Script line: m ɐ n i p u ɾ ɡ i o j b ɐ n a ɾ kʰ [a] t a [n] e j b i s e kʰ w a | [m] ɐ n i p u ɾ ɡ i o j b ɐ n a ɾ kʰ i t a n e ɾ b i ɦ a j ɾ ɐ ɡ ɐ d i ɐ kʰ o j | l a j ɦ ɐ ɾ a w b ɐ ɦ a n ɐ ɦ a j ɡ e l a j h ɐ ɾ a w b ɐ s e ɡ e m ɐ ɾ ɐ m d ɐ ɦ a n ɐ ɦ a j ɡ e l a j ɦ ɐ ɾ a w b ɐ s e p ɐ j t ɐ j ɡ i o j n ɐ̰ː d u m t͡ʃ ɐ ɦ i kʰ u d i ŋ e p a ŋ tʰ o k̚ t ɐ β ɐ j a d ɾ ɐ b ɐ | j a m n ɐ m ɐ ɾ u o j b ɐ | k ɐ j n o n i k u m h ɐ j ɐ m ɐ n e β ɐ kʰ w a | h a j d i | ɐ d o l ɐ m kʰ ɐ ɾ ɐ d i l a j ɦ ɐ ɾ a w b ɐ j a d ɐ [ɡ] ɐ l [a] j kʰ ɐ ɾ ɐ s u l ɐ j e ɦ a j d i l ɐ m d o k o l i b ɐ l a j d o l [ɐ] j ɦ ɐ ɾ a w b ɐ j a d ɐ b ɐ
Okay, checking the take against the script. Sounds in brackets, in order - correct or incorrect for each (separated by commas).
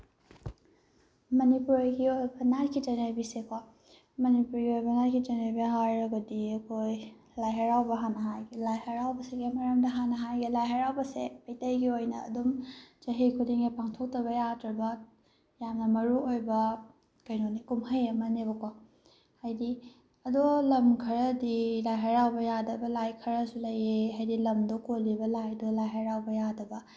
incorrect, correct, correct, incorrect, correct, incorrect